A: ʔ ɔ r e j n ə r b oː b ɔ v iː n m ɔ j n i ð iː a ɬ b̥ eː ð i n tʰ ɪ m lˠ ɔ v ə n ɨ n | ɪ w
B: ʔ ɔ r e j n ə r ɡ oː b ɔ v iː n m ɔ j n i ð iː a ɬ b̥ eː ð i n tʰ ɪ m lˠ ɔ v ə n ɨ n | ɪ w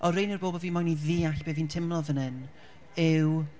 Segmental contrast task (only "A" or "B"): A